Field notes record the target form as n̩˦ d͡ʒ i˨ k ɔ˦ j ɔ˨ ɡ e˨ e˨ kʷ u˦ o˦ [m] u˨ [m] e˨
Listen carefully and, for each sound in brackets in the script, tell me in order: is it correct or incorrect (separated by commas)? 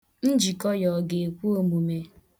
correct, correct